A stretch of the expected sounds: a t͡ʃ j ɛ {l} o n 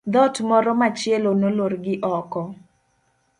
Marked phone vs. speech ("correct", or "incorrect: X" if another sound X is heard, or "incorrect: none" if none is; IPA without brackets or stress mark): correct